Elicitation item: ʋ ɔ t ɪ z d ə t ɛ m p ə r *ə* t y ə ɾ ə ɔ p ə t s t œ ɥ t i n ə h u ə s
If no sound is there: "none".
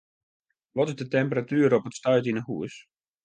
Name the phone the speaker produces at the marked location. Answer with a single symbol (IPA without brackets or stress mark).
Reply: a